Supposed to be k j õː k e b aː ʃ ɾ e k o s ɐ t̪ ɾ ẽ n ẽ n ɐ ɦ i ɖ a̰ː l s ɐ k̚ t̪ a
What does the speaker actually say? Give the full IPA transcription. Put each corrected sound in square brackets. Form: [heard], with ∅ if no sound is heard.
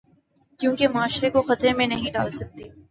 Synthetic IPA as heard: k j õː k e [m] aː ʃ ɾ e k o [x] ɐ t̪ ɾ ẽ [m] ẽ n ɐ ɦ [ĩ] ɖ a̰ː l s ɐ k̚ t̪ [i]